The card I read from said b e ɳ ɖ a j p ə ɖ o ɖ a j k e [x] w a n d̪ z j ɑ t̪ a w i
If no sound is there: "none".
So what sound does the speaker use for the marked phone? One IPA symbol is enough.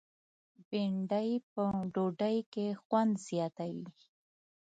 x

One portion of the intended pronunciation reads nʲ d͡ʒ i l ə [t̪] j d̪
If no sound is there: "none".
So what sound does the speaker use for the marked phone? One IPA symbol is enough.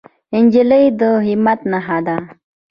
none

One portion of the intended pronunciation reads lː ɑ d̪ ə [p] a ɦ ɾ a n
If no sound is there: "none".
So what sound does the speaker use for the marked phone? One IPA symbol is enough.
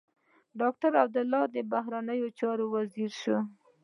b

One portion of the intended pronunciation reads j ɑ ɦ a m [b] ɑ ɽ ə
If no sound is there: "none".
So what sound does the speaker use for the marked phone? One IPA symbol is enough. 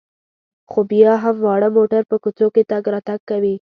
w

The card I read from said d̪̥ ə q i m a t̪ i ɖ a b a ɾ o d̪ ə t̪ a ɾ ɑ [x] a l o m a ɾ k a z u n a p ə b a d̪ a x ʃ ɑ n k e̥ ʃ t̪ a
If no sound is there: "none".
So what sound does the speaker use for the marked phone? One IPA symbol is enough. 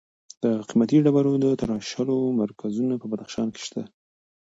ʃ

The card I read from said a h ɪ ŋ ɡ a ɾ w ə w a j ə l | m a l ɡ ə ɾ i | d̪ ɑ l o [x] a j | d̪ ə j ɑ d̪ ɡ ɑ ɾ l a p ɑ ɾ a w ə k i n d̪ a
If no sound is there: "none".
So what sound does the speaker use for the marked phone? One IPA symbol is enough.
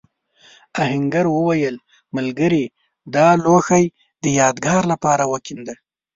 x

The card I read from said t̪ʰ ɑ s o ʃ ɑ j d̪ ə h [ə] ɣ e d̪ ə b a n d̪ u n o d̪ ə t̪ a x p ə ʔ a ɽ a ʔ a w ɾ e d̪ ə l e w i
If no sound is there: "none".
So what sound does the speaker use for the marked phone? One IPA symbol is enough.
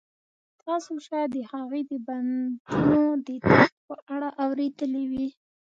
a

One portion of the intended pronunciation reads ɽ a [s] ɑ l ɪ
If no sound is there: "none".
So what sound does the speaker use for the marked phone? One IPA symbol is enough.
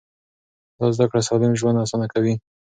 s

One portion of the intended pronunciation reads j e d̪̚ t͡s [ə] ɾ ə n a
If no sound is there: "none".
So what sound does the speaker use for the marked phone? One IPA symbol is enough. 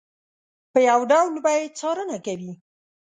ɑ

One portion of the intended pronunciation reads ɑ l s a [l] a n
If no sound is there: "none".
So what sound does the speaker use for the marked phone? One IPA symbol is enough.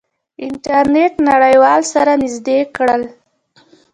ɾ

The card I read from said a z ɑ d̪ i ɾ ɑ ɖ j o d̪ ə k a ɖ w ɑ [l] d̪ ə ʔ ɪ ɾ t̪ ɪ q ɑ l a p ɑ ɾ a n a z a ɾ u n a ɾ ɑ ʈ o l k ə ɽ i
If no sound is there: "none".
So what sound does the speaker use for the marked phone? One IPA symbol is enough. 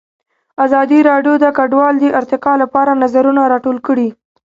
l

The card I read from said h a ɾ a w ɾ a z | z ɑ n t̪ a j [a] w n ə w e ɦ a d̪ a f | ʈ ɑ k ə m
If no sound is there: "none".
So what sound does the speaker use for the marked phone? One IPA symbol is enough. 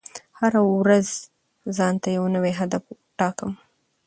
a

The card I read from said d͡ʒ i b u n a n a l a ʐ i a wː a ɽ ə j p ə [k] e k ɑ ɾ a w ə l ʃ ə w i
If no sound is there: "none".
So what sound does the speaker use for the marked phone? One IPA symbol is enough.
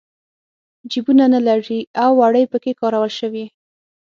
k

